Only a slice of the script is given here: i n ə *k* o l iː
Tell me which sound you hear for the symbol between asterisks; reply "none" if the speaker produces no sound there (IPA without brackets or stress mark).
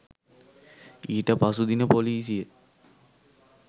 p